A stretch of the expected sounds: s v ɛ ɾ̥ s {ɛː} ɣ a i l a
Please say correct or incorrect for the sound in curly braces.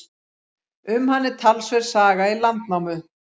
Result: incorrect